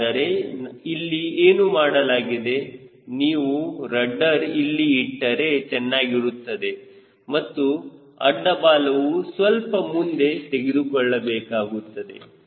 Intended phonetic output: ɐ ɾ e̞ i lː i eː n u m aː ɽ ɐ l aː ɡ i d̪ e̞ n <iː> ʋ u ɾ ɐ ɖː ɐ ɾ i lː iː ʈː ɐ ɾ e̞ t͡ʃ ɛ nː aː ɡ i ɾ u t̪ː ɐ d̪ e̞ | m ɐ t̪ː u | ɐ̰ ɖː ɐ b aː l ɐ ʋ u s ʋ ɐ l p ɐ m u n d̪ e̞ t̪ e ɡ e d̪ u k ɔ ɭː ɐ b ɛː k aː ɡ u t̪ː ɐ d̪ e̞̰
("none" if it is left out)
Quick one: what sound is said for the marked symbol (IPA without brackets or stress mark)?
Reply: iː